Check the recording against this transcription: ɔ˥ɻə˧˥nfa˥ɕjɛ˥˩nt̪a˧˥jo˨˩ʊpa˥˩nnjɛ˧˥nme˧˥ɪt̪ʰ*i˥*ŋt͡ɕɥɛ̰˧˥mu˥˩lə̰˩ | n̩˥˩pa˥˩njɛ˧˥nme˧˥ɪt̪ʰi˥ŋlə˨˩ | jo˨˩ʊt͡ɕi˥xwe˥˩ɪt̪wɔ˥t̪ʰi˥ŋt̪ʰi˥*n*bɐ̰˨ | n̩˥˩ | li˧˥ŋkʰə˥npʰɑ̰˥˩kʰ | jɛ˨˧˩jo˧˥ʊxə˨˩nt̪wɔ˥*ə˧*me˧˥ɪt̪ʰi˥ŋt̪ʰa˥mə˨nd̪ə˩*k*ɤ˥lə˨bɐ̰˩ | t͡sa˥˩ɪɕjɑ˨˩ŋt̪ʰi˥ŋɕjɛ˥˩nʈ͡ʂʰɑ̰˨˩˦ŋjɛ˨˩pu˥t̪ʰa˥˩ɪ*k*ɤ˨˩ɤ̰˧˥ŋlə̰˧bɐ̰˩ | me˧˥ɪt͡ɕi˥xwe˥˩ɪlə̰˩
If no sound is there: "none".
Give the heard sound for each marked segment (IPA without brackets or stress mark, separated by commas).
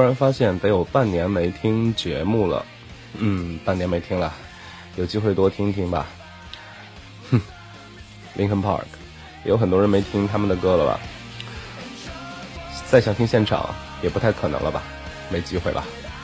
i˥, ŋ, ə˧˥, k, kʰ